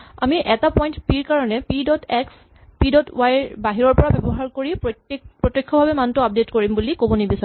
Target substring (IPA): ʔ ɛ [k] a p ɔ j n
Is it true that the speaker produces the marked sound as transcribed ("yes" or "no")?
no